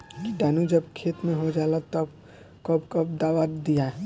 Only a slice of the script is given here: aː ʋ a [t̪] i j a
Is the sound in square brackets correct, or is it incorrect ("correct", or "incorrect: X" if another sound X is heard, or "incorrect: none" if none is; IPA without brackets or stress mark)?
incorrect: d̪